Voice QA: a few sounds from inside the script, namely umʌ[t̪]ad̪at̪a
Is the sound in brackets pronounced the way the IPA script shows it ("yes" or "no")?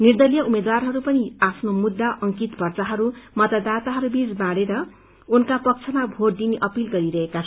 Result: yes